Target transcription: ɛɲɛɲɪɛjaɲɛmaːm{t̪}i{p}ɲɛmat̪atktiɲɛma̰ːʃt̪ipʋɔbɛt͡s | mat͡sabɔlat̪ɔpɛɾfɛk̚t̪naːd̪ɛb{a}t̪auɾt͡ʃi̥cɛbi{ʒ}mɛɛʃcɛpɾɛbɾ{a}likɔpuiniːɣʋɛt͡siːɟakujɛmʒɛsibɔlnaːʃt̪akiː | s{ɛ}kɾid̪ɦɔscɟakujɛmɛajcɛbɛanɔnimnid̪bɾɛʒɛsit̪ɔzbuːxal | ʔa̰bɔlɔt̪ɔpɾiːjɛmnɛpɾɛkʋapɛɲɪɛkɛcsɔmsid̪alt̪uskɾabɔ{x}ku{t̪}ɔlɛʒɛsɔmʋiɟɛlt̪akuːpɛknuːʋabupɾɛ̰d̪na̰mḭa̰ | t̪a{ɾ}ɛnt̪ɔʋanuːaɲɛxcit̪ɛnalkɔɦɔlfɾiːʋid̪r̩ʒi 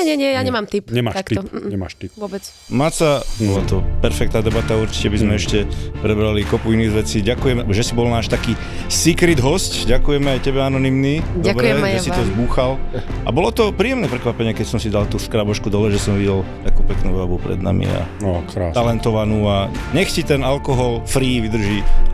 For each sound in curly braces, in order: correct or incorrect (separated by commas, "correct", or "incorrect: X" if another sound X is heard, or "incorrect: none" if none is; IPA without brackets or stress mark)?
correct, correct, correct, incorrect: z, correct, incorrect: i, incorrect: ʃ, incorrect: d̪, incorrect: l